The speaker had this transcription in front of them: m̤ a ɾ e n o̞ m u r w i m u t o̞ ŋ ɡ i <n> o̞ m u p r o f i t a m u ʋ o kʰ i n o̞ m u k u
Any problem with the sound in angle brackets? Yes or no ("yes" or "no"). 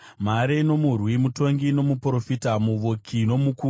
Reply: no